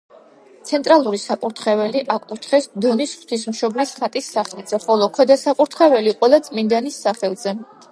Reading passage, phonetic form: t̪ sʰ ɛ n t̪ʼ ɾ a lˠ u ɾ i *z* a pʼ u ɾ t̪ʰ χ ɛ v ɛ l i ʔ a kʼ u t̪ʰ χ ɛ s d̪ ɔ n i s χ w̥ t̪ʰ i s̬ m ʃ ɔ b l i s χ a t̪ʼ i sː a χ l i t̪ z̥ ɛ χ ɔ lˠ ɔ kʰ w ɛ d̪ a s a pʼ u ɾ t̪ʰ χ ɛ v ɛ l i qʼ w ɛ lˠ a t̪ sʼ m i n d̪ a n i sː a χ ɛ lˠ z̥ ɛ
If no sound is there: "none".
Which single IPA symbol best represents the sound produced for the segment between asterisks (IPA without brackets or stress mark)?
s